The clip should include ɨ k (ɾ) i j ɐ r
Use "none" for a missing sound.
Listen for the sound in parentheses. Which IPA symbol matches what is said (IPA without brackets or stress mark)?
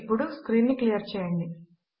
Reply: l